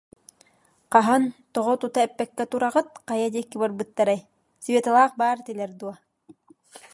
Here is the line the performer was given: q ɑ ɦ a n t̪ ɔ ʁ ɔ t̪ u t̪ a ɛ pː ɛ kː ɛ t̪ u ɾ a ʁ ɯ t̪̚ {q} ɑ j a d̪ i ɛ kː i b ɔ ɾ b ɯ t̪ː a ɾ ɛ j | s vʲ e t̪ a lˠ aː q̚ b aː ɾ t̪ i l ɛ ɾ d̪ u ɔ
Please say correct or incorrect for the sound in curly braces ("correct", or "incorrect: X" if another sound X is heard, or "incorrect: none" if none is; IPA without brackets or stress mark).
correct